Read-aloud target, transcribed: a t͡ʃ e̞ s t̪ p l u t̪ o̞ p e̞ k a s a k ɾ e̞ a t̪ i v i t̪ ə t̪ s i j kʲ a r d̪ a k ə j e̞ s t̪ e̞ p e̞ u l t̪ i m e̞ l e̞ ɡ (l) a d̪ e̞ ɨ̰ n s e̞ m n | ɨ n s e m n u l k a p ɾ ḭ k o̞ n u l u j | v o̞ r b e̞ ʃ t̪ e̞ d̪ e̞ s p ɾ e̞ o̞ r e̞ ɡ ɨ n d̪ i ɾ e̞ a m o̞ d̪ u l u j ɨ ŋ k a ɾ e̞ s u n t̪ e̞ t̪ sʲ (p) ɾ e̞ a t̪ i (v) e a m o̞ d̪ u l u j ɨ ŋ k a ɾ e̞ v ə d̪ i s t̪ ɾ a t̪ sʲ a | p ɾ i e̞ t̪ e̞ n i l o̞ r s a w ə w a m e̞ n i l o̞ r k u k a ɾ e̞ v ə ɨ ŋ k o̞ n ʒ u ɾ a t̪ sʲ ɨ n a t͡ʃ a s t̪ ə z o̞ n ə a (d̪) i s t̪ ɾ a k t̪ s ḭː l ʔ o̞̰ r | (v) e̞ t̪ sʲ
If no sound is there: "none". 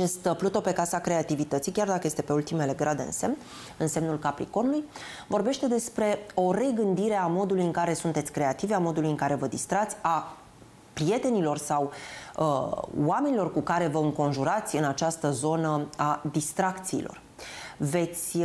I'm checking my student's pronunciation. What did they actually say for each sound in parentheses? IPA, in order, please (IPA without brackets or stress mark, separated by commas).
ɾ, k, v, d̪, v